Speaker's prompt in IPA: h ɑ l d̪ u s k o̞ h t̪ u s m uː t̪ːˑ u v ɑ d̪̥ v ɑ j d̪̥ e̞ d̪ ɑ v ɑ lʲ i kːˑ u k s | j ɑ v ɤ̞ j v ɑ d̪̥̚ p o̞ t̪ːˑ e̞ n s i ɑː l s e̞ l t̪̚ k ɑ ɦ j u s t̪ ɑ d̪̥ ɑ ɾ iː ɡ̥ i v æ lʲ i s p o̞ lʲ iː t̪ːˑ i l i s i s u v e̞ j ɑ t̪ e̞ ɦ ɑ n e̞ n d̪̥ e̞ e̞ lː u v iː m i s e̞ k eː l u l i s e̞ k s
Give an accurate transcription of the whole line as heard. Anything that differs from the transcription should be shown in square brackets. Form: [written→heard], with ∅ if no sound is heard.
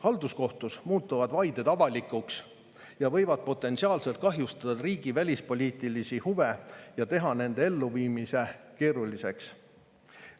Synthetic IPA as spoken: h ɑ l d̪ u s k o̞ h t̪ u s m uː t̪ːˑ u v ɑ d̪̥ v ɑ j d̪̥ e̞ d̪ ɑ v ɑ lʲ i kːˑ u k s | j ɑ v ɤ̞ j v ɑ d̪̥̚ p o̞ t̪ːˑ e̞ n s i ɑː l s e̞ l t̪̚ k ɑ ɦ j u s t̪ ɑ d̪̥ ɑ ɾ iː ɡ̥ i v æ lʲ i s p o̞ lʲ iː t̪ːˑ i l i s i [s→h] u v e̞ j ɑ t̪ e̞ ɦ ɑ n e̞ n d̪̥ e̞ e̞ lː u v iː m i s e̞ k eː [l→ɾ] u l i s e̞ k s

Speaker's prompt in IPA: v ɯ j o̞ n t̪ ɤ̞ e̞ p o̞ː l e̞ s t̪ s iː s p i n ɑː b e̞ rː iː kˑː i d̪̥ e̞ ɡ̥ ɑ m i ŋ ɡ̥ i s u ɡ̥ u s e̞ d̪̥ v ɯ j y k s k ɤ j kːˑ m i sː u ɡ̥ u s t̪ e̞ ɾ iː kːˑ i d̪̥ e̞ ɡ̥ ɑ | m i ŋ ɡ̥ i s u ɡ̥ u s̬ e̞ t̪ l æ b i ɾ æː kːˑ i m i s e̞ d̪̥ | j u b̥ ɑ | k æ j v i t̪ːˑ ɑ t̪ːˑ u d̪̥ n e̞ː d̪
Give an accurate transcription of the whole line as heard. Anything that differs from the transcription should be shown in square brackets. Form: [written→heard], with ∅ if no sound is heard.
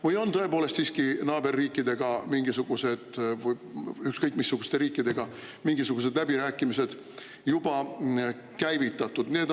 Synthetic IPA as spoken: v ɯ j o̞ n t̪ ɤ̞ e̞ p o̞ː l e̞ s t̪ s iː s [p→k] i n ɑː b e̞ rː iː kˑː i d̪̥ e̞ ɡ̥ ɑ m i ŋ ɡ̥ i s u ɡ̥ u s e̞ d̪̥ v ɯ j y k s k ɤ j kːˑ m i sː u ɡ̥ u s t̪ e̞ ɾ iː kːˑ i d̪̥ e̞ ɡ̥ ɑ | m i ŋ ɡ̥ i s u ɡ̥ u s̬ e̞ [t̪→d̪] l æ b i ɾ æː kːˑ i m i s e̞ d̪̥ | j u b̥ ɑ | k æ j v i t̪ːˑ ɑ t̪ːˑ u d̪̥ n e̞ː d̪

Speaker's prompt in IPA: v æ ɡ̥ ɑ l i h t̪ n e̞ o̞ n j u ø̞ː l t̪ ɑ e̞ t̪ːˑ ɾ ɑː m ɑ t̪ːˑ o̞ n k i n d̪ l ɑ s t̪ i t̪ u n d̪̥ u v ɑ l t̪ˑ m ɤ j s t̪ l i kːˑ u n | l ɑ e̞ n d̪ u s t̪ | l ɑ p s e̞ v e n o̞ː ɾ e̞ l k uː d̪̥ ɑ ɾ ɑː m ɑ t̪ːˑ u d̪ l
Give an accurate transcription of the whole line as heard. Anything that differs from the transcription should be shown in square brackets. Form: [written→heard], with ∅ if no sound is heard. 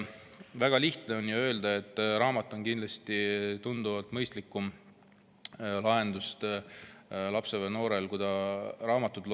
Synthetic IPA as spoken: v æ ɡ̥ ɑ l i h t̪ n e̞ o̞ n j u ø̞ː l [t̪→d̪] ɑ e̞ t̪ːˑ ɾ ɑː m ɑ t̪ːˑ o̞ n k i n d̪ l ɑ s t̪ i t̪ u n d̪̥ u v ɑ l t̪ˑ m ɤ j s t̪ l i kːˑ u [n→m] | l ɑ e̞ n d̪ u s t̪ | l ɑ p s e̞ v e n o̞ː ɾ e̞ l k [uː→u] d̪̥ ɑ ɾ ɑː m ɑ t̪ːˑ u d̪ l

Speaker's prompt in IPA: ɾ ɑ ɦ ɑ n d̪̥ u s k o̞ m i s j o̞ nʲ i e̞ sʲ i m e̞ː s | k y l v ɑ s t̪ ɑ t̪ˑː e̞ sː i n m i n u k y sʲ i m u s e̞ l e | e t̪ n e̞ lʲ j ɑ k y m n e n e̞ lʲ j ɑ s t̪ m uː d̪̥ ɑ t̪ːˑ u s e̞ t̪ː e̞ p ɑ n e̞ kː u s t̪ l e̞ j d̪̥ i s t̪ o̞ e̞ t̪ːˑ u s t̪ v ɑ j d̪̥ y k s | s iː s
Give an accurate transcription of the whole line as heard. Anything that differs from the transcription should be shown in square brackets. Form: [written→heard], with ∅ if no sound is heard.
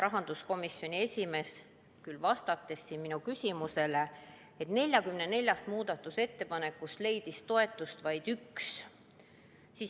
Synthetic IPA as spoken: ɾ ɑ ɦ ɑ n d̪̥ u s k o̞ m i s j o̞ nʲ i e̞ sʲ i m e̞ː s | k y l v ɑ s t̪ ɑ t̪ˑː e̞ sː i n m i n u k y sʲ i m u s e̞ l e | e t̪ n e̞ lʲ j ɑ k y m n e n e̞ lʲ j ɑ s t̪ m uː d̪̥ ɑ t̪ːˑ u s e̞ t̪ː e̞ p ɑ n e̞ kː u s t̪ l e̞ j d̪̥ i s t̪ o̞ e̞ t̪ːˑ u s t̪ v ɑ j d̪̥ y k s | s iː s

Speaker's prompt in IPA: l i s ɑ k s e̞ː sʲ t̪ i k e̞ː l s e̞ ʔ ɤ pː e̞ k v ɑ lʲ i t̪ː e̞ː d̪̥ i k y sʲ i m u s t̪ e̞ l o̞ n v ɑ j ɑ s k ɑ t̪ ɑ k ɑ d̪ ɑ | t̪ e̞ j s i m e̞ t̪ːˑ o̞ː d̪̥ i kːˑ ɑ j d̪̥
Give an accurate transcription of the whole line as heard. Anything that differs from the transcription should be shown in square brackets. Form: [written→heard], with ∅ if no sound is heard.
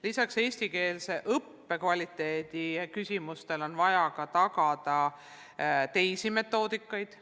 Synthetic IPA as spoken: l i s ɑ k s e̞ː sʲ t̪ i k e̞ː l s e̞ ʔ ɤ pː e̞ k v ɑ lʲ i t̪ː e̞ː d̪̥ i k y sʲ i m u s t̪ e̞ l o̞ n v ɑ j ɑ [s→∅] k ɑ t̪ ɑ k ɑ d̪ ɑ | t̪ e̞ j s i m e̞ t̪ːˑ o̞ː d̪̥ i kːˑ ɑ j d̪̥

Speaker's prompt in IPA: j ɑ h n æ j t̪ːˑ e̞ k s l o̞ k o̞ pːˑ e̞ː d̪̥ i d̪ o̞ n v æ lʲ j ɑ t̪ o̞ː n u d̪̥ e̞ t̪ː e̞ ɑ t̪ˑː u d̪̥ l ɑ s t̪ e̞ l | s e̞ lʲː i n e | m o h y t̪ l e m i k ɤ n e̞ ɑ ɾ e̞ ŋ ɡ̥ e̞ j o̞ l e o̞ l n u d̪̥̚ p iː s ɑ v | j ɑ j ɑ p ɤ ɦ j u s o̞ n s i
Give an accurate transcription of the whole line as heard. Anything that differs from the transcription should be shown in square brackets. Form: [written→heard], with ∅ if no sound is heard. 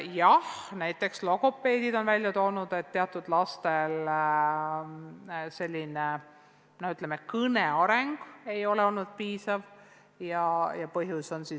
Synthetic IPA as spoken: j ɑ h n æ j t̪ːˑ e̞ k s l o̞ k o̞ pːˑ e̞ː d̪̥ i d̪ o̞ n v æ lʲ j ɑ t̪ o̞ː n u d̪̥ e̞ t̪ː e̞ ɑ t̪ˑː u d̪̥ l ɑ s t̪ e̞ l | s e̞ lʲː i n e | [m→n] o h y t̪ l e m [i→e] k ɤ n e̞ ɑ ɾ e̞ ŋ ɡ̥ e̞ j o̞ l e o̞ l n u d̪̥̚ p iː s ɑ v | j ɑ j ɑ p ɤ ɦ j u s o̞ n s i

